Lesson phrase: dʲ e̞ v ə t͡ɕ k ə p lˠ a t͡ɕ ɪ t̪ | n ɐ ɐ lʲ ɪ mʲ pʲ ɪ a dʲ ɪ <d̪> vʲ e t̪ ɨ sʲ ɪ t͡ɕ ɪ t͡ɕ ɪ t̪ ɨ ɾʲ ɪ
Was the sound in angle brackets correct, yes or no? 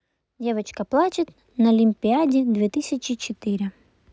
yes